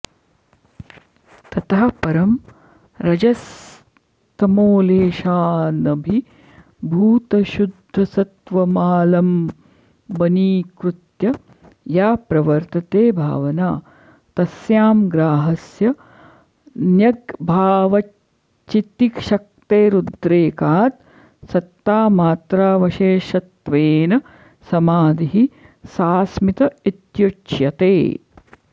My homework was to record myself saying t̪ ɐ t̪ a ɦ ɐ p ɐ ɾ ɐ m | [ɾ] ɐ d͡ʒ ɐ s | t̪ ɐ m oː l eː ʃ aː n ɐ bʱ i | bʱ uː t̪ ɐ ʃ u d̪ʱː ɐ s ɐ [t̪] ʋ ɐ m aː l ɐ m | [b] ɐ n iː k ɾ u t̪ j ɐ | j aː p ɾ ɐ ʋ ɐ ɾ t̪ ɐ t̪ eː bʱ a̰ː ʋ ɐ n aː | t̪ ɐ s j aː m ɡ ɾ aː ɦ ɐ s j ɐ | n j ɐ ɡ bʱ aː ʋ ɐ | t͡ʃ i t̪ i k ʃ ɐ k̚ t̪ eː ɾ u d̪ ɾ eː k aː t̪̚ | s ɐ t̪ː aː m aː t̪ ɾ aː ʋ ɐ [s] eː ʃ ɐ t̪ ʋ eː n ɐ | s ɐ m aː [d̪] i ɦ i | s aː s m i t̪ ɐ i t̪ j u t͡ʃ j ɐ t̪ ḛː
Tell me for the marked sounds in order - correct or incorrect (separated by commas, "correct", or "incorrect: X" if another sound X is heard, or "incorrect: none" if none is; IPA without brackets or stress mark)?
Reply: correct, correct, correct, incorrect: ʃ, correct